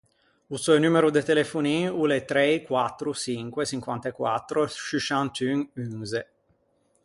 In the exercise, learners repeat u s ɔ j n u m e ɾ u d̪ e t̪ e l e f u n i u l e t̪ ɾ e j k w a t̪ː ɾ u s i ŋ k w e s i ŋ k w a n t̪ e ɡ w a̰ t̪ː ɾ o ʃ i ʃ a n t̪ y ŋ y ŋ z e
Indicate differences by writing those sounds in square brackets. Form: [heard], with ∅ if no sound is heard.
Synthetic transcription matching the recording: u s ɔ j n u m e ɾ u d̪ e t̪ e l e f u n i u l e t̪ ɾ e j k w a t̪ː ɾ u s i ŋ k w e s i ŋ k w a n t̪ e [k] w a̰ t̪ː ɾ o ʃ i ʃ a n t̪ y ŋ y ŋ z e